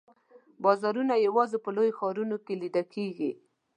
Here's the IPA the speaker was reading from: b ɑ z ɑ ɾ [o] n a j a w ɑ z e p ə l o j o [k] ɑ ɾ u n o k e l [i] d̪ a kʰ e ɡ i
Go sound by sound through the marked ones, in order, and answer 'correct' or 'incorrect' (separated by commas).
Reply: incorrect, incorrect, correct